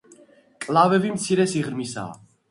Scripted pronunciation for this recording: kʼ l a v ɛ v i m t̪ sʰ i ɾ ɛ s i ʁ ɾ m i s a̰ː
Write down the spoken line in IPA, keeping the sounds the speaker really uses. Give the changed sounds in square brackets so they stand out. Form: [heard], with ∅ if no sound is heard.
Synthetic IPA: kʼ l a v ɛ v i m t̪ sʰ i ɾ ɛ s i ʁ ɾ m i s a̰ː